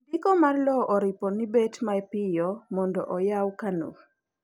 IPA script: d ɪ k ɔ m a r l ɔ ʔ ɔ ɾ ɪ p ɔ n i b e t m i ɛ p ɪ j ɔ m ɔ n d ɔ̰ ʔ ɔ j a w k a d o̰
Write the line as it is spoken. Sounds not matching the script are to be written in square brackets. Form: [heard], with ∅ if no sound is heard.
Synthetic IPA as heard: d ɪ k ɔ m a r l ɔ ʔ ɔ ɾ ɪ p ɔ n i b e t m [a] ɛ p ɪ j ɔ m ɔ n d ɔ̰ ʔ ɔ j a w k a [n] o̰